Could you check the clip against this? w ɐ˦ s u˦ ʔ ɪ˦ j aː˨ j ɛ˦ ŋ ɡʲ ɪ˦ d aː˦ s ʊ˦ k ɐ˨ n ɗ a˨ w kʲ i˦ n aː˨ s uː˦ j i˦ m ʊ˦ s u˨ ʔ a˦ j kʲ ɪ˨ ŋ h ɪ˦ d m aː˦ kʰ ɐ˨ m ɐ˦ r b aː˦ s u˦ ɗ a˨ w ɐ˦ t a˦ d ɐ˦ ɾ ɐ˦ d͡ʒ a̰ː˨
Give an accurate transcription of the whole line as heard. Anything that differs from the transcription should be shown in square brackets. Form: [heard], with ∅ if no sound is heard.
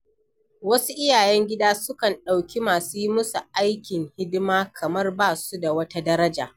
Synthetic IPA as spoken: w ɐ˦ s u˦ ʔ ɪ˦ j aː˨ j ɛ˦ ŋ ɡʲ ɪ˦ d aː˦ s ʊ˦ k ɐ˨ n ɗ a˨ w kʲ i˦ [m] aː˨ s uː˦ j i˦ m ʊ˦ s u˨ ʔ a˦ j kʲ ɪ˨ ŋ h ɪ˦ d m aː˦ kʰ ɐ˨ m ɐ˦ r b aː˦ s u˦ [d] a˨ w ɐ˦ t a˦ d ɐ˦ ɾ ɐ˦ d͡ʒ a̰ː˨